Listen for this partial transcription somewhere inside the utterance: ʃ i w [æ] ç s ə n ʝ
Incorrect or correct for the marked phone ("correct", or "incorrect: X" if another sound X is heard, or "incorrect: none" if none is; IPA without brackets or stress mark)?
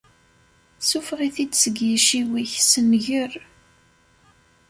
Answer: incorrect: i